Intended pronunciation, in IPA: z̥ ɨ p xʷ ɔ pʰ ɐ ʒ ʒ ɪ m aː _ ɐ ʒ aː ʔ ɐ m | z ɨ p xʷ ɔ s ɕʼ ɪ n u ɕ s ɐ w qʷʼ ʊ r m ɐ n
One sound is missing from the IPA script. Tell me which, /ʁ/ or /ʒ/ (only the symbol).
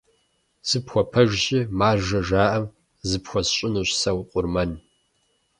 ʒ